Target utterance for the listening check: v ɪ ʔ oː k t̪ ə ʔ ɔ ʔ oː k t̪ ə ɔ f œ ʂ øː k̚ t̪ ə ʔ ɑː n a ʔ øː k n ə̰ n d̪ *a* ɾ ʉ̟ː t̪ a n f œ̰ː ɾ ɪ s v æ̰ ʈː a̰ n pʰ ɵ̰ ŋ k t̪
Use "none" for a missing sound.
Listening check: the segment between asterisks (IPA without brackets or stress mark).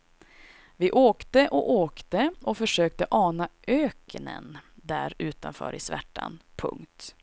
æ